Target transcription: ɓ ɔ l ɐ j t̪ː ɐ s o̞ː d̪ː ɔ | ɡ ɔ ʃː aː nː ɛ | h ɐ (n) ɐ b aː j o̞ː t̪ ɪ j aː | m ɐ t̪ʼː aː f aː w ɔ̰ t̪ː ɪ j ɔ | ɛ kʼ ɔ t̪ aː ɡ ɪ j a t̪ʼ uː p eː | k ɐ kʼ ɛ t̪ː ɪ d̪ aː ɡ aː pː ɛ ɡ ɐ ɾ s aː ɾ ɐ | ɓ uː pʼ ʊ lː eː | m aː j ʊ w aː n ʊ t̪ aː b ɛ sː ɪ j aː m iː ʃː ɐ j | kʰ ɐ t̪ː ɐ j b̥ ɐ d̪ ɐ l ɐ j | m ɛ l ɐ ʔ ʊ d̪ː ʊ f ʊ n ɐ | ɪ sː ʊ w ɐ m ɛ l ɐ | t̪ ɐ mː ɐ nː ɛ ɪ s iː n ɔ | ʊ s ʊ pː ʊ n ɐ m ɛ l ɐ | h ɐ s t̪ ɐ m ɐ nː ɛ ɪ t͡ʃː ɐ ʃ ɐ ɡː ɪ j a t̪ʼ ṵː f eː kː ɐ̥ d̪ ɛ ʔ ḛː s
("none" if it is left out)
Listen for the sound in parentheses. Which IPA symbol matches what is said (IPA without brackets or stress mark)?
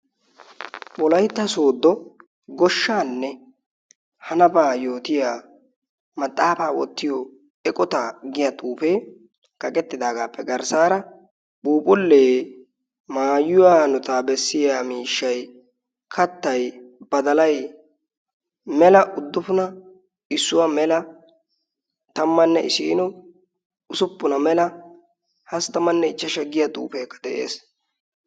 n